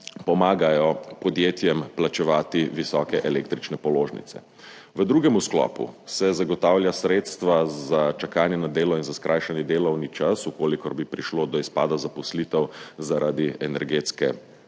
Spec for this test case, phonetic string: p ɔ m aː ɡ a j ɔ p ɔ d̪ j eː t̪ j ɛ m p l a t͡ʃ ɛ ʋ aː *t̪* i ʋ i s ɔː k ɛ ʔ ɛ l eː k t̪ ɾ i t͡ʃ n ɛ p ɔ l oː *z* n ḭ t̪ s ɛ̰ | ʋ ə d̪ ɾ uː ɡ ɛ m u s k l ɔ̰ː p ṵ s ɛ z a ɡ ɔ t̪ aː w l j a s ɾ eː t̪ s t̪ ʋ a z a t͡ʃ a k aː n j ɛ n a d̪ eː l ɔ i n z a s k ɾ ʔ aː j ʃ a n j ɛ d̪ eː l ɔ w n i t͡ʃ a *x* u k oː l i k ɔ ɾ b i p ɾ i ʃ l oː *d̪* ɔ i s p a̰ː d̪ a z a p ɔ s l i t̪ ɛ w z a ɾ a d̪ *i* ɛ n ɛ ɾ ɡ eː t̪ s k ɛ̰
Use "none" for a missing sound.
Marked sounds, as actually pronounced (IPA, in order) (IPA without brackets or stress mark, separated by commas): t̪, ʒ, s, d̪, i